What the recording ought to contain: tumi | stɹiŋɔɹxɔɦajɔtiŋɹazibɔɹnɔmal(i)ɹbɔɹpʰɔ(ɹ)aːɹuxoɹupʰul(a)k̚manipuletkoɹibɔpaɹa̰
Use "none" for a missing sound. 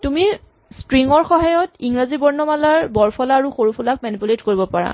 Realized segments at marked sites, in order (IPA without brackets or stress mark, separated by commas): a, l, a